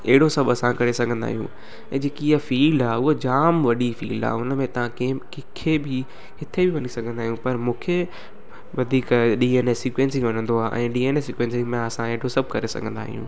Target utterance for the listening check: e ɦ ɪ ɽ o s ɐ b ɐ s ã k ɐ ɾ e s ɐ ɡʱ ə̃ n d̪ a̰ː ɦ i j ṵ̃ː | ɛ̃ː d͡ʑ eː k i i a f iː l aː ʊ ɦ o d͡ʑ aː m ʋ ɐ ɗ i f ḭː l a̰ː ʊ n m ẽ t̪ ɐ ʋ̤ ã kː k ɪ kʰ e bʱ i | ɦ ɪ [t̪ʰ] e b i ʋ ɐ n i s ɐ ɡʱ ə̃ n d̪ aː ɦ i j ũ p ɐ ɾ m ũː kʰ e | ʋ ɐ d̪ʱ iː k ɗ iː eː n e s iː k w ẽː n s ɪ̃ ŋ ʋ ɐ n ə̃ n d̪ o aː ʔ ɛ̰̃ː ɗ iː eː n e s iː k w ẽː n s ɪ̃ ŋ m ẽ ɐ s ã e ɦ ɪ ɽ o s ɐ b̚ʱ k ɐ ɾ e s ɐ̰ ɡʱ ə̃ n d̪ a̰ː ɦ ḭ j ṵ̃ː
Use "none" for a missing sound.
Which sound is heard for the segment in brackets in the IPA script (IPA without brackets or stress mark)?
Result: t̪ʰ